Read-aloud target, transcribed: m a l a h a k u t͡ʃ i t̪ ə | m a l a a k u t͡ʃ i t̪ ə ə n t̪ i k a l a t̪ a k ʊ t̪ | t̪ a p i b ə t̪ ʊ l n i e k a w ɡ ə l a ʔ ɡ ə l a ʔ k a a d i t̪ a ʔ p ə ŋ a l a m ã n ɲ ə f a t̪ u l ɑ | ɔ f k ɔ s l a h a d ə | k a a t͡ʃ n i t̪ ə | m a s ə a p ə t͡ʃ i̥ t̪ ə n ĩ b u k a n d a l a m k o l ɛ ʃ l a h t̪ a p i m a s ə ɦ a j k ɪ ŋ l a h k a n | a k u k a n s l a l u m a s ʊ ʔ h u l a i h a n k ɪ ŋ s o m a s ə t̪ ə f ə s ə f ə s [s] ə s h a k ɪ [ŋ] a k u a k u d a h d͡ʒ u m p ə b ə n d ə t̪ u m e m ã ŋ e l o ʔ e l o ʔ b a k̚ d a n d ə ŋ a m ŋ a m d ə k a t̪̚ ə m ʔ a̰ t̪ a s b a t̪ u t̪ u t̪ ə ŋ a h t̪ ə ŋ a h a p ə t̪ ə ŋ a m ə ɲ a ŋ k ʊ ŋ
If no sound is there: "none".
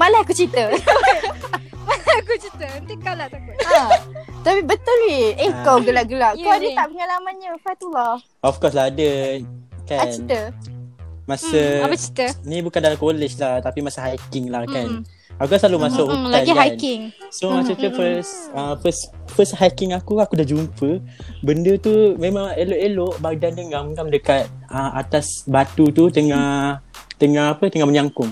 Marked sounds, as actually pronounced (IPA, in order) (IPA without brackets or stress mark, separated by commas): f, ŋ